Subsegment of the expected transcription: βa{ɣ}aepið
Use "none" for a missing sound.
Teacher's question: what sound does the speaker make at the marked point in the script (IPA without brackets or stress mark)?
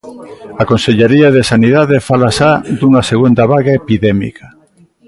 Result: ɣ